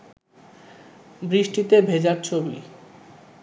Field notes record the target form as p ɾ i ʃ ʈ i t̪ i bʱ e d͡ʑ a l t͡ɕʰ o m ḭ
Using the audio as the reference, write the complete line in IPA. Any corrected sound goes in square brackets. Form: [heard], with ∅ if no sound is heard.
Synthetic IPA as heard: [b] ɾ i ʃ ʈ i t̪ [e] bʱ e d͡ʑ a [ɾ] t͡ɕʰ o [b] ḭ